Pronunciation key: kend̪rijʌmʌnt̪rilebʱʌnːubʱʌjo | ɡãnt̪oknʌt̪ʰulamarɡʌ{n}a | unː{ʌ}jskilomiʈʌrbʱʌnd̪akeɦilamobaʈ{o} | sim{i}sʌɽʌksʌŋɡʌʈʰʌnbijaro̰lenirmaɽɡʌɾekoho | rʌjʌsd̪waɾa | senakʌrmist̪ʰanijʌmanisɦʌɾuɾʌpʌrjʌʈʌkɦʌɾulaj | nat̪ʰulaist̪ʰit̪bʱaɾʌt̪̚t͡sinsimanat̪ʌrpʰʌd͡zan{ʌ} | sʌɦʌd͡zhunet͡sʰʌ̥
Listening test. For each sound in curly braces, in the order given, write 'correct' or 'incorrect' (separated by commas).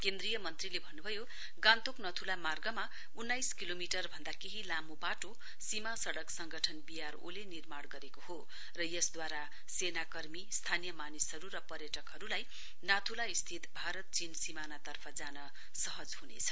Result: incorrect, incorrect, correct, incorrect, correct